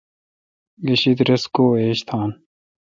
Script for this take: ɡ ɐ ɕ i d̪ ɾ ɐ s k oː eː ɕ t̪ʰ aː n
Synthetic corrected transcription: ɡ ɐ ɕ i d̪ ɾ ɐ s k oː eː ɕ t̪ʰ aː n